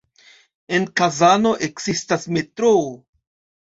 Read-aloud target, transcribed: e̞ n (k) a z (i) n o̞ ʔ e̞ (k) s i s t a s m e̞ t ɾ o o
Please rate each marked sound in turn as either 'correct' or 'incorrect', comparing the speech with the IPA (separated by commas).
correct, incorrect, correct